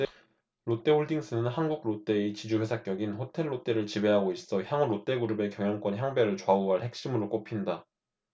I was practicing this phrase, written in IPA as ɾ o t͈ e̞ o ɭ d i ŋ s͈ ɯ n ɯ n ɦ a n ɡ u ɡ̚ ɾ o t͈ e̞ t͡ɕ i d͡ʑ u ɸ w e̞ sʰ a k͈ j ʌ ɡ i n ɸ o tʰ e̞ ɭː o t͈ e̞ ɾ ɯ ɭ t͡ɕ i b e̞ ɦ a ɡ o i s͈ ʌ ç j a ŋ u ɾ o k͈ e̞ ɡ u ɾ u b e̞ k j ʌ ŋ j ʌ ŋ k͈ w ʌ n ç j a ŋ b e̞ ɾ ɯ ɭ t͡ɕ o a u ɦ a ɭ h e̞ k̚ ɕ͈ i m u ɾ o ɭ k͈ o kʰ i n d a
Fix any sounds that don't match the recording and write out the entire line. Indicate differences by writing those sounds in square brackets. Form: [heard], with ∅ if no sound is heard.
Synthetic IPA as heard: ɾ o t͈ e̞ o ɭ d i ŋ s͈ ɯ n ɯ n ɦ a n ɡ u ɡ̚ ɾ o t͈ e̞ t͡ɕ i d͡ʑ u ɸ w e̞ sʰ a k͈ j ʌ ɡ i n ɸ o tʰ e̞ ɭː o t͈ e̞ ɾ ɯ ɭ t͡ɕ i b e̞ ɦ a ɡ o i s͈ ʌ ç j a ŋ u ɾ o [t͈] e̞ ɡ u ɾ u b e̞ k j ʌ ŋ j ʌ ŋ k͈ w ʌ n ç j a ŋ b e̞ ɾ ɯ ɭ t͡ɕ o a u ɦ a ɭ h e̞ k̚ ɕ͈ i m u ɾ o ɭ k͈ o [pʰ] i n d a

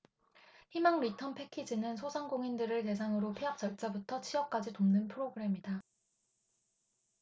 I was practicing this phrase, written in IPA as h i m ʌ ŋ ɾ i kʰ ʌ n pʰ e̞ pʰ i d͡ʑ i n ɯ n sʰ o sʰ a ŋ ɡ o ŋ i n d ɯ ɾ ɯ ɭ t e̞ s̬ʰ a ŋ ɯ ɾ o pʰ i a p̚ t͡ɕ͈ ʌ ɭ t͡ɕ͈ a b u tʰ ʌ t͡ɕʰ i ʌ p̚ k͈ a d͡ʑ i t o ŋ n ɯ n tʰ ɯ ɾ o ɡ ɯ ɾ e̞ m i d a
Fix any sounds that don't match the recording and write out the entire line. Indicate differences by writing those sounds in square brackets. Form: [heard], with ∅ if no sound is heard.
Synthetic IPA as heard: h i m [a] ŋ ɾ i [tʰ] ʌ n pʰ e̞ [kʰ] i d͡ʑ i n ɯ n sʰ o sʰ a ŋ ɡ o ŋ i n d ɯ ɾ ɯ ɭ t e̞ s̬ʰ a ŋ ɯ ɾ o pʰ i a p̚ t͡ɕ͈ ʌ ɭ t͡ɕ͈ a b u tʰ ʌ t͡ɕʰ i ʌ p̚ k͈ a d͡ʑ i t o [m] n ɯ n [pʰ] ɯ ɾ o ɡ ɯ ɾ e̞ m i d a

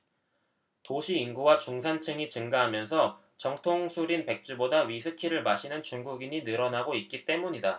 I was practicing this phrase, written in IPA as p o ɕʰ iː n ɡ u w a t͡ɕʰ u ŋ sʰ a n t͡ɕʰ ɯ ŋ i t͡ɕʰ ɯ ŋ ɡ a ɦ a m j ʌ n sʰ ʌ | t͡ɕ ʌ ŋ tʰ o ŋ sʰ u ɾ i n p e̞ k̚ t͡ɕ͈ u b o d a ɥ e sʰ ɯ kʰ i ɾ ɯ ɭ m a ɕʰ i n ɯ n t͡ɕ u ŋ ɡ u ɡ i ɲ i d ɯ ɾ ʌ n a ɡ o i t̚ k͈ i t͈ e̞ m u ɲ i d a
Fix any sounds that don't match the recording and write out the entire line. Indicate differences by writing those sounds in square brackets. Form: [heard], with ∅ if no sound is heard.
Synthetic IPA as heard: [t] o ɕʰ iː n ɡ u w a [t͡ɕ] u ŋ sʰ a n t͡ɕʰ ɯ ŋ i [t͡ɕ] ɯ ŋ ɡ a ɦ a m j ʌ n sʰ ʌ | t͡ɕ ʌ ŋ tʰ o ŋ sʰ u ɾ i n p e̞ k̚ t͡ɕ͈ u b o d a ɥ [i] sʰ ɯ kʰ i ɾ ɯ ɭ m a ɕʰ i n ɯ n t͡ɕ u ŋ ɡ u ɡ i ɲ i [n] ɯ ɾ ʌ n a ɡ o i t̚ k͈ i t͈ e̞ m u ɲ i d a

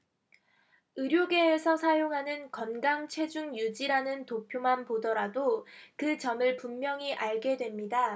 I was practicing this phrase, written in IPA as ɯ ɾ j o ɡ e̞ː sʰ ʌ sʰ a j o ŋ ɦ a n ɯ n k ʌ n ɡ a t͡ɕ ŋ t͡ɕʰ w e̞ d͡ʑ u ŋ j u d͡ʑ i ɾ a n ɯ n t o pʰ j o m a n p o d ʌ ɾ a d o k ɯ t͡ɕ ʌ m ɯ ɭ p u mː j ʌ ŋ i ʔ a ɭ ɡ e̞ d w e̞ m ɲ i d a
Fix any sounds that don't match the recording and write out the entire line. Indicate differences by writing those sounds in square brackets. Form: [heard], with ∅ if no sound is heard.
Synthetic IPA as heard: ɯ ɾ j o ɡ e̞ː sʰ ʌ sʰ a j o ŋ ɦ a n ɯ n k ʌ n ɡ a [∅] ŋ t͡ɕʰ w e̞ d͡ʑ u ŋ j u d͡ʑ i ɾ a n ɯ n t o pʰ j o m a n p o d ʌ ɾ a d o k ɯ t͡ɕ ʌ m ɯ ɭ p u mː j ʌ ŋ i ʔ a ɭ ɡ e̞ d w e̞ m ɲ i d a

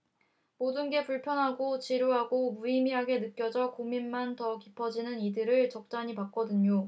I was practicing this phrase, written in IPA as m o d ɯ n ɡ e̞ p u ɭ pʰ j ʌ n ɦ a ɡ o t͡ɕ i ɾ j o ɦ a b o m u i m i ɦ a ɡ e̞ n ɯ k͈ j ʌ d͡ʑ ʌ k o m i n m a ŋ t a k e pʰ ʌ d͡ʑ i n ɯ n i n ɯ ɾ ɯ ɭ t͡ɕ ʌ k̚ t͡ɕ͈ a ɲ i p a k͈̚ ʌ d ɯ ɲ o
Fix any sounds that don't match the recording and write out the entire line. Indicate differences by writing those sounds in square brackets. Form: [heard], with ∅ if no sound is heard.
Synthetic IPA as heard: m o d ɯ n ɡ e̞ p u ɭ pʰ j ʌ n ɦ a ɡ o t͡ɕ i ɾ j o ɦ a [ɡ] o m u i m i ɦ a ɡ e̞ n ɯ k͈ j ʌ d͡ʑ ʌ k o m i n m a [n] t [ʌ] k [i] pʰ ʌ d͡ʑ i n ɯ n i [d] ɯ ɾ ɯ ɭ t͡ɕ ʌ k̚ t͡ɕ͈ a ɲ i p a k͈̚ ʌ d ɯ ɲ o

